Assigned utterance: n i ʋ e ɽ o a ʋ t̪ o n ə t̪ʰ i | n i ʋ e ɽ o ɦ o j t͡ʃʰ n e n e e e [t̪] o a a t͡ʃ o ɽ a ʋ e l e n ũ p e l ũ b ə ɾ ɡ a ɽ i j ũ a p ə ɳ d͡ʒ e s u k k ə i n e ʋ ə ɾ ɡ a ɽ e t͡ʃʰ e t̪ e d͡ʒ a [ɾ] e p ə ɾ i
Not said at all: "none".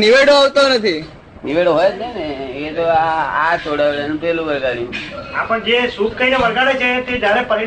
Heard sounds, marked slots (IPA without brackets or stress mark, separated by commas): t̪, ɾ